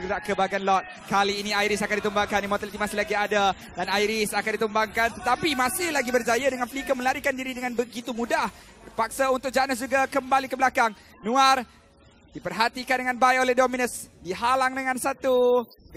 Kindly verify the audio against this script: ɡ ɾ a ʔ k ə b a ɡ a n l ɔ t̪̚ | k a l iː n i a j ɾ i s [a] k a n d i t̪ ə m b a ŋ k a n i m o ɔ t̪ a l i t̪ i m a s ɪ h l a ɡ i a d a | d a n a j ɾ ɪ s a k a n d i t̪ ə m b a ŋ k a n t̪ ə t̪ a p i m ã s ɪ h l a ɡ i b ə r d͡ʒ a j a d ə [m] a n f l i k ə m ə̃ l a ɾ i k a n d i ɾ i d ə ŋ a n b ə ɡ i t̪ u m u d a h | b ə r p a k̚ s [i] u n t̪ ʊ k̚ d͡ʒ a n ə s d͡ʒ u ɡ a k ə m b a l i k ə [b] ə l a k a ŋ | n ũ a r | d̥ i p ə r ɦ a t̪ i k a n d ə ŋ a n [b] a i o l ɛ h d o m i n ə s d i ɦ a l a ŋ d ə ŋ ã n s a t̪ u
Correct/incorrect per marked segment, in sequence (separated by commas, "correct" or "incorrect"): correct, incorrect, incorrect, correct, correct